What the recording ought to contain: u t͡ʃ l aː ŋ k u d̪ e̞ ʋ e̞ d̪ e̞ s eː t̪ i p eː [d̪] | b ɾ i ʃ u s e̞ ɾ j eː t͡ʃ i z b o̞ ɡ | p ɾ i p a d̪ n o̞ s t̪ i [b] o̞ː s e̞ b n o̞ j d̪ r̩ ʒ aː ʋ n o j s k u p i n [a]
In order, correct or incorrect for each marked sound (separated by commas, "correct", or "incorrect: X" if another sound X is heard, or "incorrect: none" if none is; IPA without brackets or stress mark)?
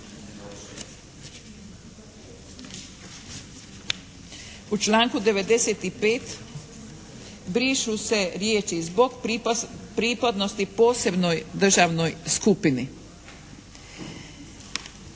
incorrect: t̪, incorrect: p, incorrect: i